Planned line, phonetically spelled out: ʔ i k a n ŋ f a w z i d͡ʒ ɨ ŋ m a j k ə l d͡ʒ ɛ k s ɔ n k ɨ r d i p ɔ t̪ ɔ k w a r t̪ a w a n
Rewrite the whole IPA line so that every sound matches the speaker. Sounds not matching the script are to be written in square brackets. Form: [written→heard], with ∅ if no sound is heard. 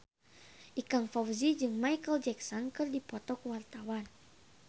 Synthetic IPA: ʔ i k a [n→∅] ŋ f a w z i d͡ʒ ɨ ŋ m a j k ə l d͡ʒ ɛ k s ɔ n k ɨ r d i p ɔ t̪ ɔ k w a r t̪ a w a n